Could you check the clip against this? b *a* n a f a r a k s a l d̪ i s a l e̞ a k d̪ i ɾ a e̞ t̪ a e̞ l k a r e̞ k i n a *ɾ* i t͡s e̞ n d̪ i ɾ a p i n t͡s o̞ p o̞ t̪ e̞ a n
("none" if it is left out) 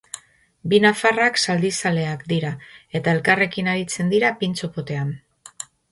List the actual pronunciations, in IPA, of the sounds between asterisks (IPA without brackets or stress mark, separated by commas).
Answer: i, ɾ